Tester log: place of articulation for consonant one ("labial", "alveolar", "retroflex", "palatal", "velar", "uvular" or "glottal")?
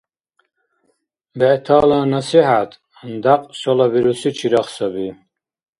labial